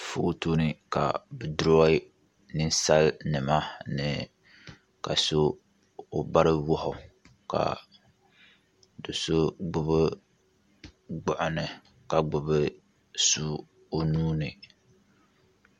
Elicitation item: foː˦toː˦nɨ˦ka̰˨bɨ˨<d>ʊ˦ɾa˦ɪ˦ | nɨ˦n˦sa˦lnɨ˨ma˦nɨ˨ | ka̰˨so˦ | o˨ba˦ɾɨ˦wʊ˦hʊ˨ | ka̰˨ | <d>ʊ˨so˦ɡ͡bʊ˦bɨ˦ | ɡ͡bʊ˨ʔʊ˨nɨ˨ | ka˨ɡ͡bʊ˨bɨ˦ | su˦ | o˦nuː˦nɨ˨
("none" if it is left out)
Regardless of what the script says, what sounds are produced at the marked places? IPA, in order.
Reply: d, d

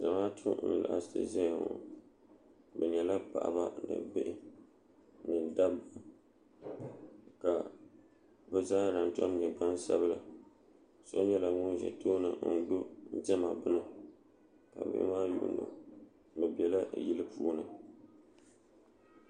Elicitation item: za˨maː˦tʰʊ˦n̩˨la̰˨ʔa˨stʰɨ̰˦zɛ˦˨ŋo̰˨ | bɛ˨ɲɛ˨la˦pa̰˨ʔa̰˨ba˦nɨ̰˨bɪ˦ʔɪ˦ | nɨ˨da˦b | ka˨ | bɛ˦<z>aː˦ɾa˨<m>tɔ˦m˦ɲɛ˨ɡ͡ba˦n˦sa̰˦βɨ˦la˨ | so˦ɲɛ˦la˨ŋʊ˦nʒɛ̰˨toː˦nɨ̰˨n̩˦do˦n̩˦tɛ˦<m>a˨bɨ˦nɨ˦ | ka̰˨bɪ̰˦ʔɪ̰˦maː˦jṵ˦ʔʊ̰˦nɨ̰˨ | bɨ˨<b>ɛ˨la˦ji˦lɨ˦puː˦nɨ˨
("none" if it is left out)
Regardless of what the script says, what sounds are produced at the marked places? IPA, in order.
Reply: z, n, m, b

